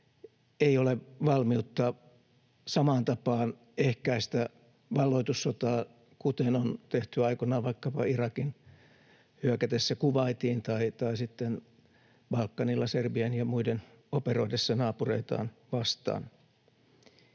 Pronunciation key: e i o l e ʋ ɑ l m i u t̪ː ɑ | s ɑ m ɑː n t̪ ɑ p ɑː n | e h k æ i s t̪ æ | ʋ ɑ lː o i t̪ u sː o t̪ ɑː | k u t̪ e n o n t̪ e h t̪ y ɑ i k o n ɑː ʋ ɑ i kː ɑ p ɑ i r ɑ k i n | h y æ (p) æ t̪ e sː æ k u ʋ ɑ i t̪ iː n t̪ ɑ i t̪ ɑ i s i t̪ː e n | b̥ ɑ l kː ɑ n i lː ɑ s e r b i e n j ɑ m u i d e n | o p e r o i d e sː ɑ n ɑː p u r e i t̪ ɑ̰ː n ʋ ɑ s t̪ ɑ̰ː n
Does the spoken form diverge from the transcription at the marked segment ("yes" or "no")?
yes